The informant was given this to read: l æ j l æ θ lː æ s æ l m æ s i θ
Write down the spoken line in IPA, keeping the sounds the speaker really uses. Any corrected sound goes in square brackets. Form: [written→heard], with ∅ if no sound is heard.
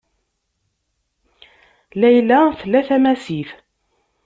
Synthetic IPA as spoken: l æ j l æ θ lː æ [s→θ] æ [l→∅] m æ s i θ

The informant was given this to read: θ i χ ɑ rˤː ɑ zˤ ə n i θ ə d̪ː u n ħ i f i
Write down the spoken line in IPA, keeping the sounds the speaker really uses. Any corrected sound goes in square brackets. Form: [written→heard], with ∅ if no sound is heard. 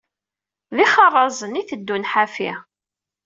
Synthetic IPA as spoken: [θ→ð] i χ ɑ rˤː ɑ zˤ ə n i θ ə d̪ː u n ħ [i→a] f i

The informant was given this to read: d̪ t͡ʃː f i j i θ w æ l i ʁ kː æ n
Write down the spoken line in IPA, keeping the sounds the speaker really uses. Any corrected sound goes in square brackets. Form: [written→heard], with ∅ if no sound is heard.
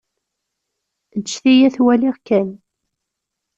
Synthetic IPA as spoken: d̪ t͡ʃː [f→θ] i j [i→æ] θ w æ l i ʁ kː æ n

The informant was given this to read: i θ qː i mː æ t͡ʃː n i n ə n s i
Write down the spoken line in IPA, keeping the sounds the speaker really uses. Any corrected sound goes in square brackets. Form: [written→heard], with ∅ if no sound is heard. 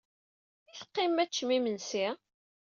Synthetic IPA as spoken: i θ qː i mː æ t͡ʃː [n→m] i [n→m] ə n s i

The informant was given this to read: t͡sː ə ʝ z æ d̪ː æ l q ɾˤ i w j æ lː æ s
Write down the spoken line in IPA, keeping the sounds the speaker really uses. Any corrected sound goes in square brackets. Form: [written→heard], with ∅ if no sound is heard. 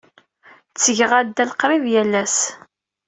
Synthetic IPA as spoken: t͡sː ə ʝ [z→ʁ] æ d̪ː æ l q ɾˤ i [w→v] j æ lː æ s

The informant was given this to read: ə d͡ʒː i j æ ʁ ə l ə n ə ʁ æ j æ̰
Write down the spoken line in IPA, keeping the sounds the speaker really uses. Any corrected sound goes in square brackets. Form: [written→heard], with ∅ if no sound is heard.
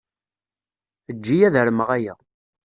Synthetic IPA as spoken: ə d͡ʒː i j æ [ʁ→ð] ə [l→ɾ] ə [n→m] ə ʁ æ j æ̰

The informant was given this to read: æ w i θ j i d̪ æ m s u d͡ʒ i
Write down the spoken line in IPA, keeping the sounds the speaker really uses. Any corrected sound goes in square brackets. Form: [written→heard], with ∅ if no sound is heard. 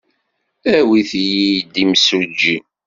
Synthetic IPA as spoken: æ w i θ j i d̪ [æ→i] m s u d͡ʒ i

